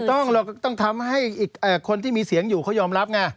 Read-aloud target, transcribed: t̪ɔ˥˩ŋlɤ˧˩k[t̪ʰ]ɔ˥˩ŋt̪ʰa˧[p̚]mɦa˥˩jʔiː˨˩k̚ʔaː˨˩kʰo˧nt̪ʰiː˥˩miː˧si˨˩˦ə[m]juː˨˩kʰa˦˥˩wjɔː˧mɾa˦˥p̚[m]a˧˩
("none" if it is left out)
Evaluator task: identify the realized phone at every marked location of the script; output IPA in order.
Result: t̪, none, ŋ, ŋ

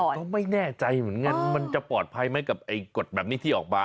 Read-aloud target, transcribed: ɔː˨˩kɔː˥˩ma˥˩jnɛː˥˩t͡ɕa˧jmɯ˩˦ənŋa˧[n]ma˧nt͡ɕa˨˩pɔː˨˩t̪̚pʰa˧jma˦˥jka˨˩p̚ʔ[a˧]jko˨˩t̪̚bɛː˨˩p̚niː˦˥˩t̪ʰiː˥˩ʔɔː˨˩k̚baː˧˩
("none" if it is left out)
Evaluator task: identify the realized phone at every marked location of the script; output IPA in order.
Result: n, a˧

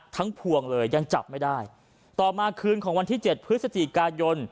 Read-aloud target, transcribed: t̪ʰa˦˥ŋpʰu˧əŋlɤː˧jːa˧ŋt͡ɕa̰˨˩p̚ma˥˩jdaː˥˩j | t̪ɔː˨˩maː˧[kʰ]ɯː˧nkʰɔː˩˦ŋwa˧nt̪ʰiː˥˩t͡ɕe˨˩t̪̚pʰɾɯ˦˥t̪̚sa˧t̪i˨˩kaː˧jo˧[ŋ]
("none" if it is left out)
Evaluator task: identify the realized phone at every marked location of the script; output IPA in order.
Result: kʰ, n

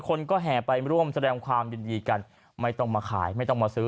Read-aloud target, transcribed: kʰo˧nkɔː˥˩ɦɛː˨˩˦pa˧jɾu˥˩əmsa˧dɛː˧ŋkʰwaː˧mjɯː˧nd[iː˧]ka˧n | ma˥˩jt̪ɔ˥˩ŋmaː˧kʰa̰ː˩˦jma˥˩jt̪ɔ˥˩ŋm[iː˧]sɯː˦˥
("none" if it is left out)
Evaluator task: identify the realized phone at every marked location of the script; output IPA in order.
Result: iː˧, aː˧

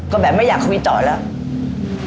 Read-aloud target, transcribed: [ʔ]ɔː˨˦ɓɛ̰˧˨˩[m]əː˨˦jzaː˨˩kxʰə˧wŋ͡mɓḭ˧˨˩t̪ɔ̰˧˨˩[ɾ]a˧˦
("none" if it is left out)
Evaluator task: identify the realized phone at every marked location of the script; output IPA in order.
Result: k, m, l

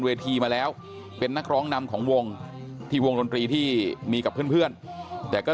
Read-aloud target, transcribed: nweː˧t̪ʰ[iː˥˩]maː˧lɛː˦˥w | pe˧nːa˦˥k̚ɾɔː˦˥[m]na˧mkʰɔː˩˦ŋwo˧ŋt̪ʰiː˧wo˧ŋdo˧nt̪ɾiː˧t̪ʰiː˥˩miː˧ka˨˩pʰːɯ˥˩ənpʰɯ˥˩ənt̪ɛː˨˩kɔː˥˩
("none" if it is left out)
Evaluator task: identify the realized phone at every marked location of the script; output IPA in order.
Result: iː˧, ŋ

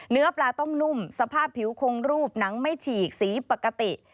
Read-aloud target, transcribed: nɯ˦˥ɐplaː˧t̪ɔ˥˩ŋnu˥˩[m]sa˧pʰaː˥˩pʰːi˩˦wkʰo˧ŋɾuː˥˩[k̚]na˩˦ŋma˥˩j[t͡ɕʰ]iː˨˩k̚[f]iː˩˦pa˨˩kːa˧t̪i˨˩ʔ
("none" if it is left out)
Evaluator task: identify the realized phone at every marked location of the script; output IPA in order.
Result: m, p̚, t͡ɕʰ, s

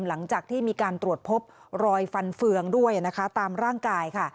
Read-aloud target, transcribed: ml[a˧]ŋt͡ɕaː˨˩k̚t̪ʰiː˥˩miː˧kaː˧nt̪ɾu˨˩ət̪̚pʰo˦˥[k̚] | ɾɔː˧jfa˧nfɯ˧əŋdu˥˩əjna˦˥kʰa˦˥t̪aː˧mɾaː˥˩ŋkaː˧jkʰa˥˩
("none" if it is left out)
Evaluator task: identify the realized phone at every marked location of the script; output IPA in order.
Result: a˩˦, p̚

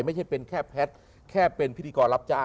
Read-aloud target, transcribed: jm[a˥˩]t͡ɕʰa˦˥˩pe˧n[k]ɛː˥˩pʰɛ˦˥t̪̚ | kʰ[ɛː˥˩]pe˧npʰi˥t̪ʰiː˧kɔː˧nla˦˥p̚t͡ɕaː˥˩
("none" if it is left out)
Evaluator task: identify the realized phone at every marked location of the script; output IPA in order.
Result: a˥˩, kʰ, ɛː˥˩

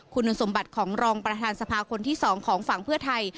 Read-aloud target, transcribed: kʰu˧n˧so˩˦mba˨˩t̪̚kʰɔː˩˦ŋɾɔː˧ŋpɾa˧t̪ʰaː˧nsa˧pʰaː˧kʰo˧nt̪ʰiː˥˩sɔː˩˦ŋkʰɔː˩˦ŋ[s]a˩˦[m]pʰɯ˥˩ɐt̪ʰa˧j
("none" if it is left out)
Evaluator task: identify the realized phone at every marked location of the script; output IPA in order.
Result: f, ŋ

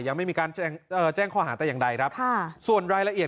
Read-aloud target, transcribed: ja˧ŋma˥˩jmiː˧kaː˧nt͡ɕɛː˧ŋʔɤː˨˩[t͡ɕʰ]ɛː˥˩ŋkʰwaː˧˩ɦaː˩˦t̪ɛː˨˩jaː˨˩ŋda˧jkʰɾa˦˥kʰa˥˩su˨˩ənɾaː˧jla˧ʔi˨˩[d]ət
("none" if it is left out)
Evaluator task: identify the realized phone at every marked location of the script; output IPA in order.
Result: t͡ɕ, none

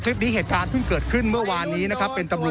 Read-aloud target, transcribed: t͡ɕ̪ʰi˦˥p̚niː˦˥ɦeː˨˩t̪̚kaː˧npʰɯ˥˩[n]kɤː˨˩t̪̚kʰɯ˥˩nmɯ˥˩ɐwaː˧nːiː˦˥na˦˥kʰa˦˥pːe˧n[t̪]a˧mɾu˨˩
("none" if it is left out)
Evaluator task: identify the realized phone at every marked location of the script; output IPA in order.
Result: ŋ, t̪

